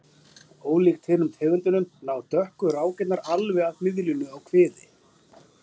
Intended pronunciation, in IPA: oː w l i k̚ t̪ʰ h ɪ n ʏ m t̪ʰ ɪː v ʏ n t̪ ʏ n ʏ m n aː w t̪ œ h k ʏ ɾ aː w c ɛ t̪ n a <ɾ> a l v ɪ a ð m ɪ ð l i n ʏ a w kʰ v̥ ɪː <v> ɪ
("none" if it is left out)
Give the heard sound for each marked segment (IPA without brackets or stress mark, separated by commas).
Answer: ɾ, ð